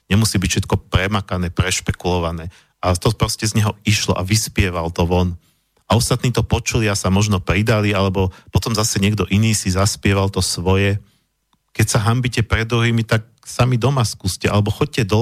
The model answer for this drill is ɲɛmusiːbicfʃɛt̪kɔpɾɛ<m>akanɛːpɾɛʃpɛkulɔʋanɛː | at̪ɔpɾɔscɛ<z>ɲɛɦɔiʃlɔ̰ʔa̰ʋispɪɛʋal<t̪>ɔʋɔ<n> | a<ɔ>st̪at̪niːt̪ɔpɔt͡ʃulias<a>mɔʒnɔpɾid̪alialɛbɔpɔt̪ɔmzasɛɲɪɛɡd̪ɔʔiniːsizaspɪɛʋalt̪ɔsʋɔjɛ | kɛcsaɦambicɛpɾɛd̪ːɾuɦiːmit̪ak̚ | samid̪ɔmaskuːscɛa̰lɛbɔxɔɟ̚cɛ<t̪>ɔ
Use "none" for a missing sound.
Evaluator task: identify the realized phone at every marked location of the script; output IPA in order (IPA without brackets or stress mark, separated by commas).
m, z, t̪, n, ɔ, a, d̪